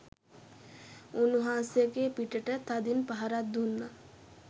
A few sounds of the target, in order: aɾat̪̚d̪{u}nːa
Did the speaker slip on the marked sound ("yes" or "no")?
no